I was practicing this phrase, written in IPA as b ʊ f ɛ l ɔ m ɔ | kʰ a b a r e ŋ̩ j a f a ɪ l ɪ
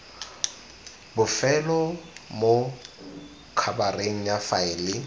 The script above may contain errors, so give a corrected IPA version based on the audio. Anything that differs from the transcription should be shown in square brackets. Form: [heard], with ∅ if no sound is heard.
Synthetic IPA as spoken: b ʊ f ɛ l ɔ m [o] | kʰ a b a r e ŋ̩ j a f a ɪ l ɪ